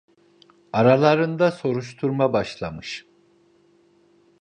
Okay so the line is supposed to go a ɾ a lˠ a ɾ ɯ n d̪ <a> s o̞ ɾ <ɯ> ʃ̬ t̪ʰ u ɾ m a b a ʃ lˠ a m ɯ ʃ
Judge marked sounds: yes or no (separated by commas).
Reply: yes, no